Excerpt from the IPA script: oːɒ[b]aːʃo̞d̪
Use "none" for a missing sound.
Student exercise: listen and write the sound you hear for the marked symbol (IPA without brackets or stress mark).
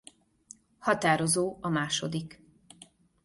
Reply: m